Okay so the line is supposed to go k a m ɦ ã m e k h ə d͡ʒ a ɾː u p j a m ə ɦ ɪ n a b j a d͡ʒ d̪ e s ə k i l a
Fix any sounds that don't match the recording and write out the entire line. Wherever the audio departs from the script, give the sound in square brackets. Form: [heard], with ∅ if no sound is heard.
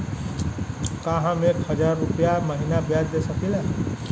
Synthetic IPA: k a [∅] ɦ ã m e k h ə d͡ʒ a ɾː u p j a m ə ɦ [i] n a b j a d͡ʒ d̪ e s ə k i l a